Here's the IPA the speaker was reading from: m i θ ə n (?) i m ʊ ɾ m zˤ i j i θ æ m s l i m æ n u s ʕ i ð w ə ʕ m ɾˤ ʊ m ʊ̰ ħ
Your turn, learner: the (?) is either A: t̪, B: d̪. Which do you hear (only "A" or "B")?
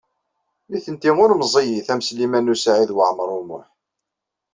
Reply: A